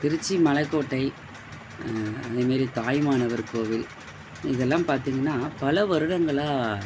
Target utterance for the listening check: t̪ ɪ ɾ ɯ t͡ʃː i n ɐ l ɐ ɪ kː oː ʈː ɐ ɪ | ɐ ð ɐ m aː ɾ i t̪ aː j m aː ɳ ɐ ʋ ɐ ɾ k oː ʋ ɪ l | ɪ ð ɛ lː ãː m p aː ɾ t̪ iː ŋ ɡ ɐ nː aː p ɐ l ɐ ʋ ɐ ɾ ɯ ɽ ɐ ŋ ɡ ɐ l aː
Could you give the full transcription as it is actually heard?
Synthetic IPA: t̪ ɪ ɾ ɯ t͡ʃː i m ɐ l ɐ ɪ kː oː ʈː ɐ ɪ | ɐ ð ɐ m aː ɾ i t̪ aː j m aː n ɐ ʋ ɐ ɾ k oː ʋ ɪ l | ɪ ð ɛ lː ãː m p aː ɾ t̪ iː ŋ ɡ ɐ nː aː p ɐ l ɐ ʋ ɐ ɾ ɯ ɽ ɐ ŋ ɡ ɐ ɭ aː